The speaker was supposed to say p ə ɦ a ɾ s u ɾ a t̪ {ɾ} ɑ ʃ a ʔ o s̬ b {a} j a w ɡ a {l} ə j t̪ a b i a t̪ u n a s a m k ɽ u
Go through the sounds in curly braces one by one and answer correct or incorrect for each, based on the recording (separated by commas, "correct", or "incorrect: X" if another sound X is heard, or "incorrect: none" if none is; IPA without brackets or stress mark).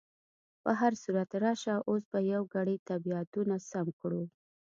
correct, correct, incorrect: ɽ